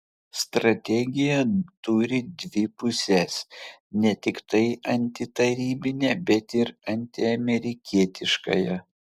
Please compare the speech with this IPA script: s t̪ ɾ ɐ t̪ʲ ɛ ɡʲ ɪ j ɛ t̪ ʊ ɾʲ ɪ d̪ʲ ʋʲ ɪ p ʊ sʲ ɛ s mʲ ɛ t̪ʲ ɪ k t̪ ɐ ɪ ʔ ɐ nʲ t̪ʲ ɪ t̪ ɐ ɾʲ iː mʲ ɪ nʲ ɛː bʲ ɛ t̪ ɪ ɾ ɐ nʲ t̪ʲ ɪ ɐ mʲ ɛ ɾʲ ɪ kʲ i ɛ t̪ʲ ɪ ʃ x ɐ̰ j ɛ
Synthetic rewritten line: s t̪ ɾ ɐ t̪ʲ ɛ ɡʲ ɪ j ɛ t̪ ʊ ɾʲ ɪ d̪ʲ ʋʲ ɪ p ʊ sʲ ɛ s nʲ ɛ t̪ʲ ɪ k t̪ ɐ ɪ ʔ ɐ nʲ t̪ʲ ɪ t̪ ɐ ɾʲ iː bʲ ɪ nʲ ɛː bʲ ɛ t̪ ɪ ɾ ɐ nʲ t̪ʲ ɪ ɐ mʲ ɛ ɾʲ ɪ kʲ i ɛ t̪ʲ ɪ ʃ k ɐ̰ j ɛ